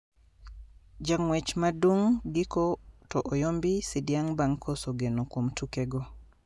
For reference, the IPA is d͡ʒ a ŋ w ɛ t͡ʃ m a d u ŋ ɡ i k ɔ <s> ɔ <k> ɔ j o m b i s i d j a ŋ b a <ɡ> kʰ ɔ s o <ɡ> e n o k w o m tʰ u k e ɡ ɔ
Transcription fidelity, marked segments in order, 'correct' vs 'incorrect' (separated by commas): incorrect, incorrect, incorrect, correct